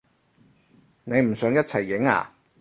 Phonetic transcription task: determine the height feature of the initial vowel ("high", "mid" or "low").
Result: mid